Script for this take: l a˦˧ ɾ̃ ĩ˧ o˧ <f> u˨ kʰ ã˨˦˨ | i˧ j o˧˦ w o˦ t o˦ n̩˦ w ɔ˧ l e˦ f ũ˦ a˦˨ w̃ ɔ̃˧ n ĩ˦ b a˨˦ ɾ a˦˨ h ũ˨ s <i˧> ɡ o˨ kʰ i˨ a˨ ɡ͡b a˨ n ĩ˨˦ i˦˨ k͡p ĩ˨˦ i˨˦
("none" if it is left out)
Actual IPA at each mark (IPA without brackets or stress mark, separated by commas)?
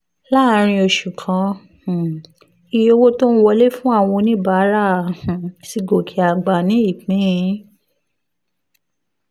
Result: ʃ, i˧